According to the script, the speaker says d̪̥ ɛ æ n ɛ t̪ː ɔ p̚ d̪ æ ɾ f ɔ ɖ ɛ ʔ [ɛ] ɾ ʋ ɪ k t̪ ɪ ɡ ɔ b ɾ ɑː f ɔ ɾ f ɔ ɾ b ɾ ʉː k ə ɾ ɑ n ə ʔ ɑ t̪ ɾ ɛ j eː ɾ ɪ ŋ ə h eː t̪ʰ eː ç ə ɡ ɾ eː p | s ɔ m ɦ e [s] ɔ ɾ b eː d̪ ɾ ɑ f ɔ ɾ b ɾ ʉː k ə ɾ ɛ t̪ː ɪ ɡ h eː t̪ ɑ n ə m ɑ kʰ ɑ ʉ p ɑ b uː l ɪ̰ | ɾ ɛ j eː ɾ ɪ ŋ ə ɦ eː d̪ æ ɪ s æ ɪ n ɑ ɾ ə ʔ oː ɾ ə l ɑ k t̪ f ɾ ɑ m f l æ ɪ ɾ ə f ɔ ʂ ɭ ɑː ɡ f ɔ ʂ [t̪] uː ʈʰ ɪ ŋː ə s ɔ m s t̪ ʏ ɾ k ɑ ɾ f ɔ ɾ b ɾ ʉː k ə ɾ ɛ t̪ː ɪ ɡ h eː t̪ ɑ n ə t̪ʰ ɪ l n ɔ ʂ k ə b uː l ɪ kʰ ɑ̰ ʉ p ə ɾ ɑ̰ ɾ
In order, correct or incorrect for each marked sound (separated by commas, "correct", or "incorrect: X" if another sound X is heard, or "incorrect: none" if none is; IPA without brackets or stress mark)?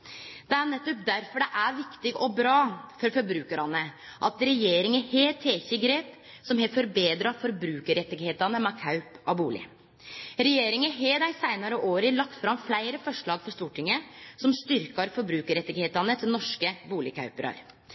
incorrect: æ, incorrect: f, correct